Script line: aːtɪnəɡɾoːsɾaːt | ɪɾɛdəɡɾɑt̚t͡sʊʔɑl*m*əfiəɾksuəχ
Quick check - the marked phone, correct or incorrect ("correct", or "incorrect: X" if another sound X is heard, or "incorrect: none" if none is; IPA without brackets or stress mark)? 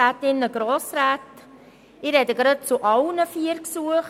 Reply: incorrect: n